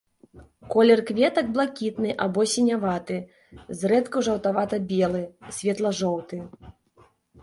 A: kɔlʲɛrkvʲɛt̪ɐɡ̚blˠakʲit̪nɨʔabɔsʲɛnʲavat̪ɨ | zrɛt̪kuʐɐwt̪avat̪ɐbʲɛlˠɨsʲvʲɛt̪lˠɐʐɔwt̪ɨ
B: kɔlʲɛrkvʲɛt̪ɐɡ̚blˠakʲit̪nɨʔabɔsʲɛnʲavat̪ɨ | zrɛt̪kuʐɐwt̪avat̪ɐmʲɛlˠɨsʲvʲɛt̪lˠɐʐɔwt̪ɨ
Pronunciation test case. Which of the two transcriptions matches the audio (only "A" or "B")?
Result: A